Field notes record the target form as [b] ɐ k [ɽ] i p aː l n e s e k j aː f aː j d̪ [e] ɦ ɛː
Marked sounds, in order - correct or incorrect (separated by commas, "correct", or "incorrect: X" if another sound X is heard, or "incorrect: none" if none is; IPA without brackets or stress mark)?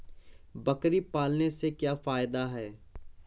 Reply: correct, incorrect: ɾ, incorrect: a